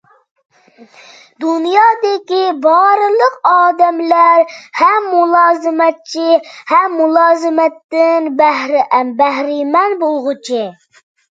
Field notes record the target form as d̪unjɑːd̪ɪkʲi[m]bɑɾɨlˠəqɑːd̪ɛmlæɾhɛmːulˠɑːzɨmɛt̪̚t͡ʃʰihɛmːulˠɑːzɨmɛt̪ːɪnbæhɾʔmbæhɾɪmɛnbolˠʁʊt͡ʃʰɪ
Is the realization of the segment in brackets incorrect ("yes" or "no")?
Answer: yes